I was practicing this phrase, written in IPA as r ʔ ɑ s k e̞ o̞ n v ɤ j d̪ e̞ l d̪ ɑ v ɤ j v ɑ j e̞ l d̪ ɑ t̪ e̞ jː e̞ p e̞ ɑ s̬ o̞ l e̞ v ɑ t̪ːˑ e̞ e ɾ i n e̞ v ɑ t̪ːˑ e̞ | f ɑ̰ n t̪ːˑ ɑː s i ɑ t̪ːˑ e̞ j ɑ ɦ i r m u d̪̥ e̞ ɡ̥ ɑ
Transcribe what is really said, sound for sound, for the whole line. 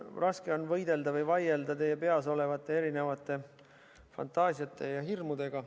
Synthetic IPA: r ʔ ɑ s k e̞ o̞ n v ɤ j d̪ e̞ l d̪ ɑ v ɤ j v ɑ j e̞ l d̪ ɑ t̪ e̞ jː e̞ p e̞ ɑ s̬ o̞ l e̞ v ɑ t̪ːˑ e̞ e ɾ i n e̞ v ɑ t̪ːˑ e̞ | f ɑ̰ n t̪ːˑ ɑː s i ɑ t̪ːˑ e̞ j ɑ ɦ i r m u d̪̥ e̞ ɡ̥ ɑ